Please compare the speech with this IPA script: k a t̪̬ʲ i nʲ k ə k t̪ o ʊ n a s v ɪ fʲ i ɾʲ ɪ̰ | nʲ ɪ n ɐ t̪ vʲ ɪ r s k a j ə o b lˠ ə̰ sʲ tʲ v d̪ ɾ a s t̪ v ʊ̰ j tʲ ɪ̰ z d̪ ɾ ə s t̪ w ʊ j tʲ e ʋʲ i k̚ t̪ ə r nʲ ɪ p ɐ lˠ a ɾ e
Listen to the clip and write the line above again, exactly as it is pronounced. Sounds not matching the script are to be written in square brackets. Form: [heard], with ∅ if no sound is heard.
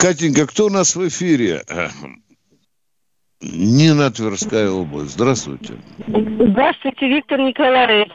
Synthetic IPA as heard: k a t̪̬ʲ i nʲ k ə k t̪ o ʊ n a s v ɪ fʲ i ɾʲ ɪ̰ | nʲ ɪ n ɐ t̪ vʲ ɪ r s k a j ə o b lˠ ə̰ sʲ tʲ [z] d̪ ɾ a s t̪ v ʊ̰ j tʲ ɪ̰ z d̪ ɾ [a] s t̪ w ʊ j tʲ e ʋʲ i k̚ t̪ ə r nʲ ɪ [k] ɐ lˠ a ɾ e